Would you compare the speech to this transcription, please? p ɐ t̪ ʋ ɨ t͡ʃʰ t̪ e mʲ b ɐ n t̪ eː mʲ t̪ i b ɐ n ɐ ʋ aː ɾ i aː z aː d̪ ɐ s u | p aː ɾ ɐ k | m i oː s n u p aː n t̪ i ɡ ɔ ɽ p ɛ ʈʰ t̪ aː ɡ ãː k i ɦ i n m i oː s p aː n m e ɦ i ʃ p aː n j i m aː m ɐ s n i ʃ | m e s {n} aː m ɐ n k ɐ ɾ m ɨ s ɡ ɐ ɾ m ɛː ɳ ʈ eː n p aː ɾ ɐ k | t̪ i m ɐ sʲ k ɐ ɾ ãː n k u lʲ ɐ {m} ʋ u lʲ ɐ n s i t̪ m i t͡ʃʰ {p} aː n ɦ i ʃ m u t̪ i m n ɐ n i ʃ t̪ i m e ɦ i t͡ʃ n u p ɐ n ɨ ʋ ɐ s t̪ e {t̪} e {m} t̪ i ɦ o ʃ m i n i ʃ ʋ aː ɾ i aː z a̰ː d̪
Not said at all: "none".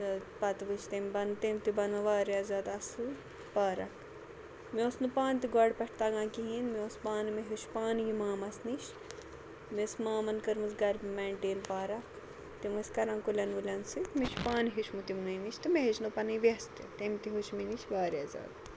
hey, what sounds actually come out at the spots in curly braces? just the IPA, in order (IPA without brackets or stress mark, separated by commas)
m, n, p, t̪, m